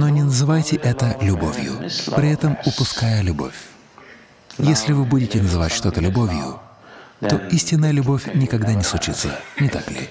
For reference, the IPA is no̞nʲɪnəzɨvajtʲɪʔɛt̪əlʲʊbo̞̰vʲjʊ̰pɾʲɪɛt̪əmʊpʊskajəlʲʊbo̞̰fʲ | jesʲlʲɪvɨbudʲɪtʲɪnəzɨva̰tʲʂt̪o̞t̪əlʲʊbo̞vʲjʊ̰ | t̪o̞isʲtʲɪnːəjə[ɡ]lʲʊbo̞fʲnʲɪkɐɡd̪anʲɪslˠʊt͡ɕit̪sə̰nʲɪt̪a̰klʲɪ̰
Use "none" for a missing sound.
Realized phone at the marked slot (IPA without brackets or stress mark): none